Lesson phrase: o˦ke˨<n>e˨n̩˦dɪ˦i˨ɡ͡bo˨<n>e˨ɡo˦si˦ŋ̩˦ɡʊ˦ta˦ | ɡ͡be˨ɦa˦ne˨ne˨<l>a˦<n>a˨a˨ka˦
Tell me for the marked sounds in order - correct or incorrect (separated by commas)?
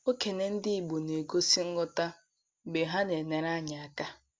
correct, correct, incorrect, incorrect